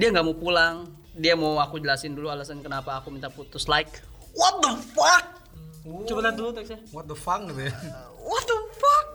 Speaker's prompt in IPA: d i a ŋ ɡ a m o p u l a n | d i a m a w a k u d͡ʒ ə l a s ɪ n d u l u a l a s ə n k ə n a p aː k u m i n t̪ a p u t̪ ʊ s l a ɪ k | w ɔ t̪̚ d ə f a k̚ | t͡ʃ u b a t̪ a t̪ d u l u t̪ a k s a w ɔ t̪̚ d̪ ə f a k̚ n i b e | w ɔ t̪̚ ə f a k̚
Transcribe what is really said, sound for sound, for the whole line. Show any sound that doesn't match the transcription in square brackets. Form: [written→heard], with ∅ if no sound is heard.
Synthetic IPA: d i a ŋ ɡ a m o p u l a [n→ŋ] | d i a m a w a k u d͡ʒ ə l a s ɪ n d u l u a l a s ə n k ə n a p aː k u m i n t̪ a p u t̪ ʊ s l a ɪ k | w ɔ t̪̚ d ə f a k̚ | t͡ʃ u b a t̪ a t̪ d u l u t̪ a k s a w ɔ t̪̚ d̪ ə f a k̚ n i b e | w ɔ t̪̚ ə f a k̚